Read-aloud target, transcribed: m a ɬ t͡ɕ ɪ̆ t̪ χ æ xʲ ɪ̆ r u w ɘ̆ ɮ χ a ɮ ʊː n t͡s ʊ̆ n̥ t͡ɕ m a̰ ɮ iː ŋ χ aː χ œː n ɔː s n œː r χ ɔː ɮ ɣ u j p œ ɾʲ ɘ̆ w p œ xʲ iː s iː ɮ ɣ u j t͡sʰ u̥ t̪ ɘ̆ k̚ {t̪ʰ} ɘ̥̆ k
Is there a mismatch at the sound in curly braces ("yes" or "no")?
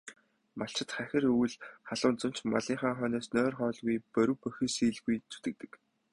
yes